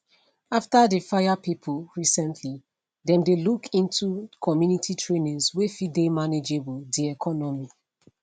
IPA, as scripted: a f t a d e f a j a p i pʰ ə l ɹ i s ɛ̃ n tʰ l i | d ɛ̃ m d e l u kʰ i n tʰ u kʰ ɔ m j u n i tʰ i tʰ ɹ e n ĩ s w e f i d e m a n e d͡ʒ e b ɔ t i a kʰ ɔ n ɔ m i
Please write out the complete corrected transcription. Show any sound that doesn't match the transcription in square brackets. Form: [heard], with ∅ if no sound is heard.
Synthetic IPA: a f t a d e f a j a p i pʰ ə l ɹ i s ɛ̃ n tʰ l i | d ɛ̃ m d e l u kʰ [ĩ] n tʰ u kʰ ɔ m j u n i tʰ i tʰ ɹ e n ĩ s w e f i d e m a n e d͡ʒ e b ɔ [d] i [ɛ] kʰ ɔ n ɔ m i